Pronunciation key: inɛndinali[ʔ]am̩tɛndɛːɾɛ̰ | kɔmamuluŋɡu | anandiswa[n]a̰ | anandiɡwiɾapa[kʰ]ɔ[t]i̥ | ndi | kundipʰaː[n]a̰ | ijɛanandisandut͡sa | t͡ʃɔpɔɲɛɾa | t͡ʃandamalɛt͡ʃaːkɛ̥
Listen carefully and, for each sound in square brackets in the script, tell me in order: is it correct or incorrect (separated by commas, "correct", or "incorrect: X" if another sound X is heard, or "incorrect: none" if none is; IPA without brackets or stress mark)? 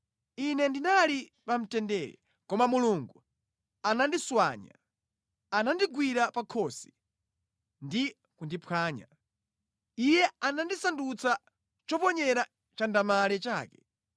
incorrect: p, incorrect: ɲ, correct, incorrect: s, incorrect: ɲ